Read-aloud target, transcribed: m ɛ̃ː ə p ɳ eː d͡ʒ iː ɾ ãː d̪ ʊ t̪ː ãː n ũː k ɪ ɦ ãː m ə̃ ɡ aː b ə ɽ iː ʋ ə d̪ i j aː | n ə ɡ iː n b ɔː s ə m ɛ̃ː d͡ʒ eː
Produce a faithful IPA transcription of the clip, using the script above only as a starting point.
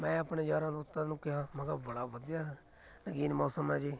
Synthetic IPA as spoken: m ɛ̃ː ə p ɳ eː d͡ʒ aː ɾ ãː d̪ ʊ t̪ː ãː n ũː k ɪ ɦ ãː m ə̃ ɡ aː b ə ɽ aː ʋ ə d̪ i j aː | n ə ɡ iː n m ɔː s ə m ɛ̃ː d͡ʒ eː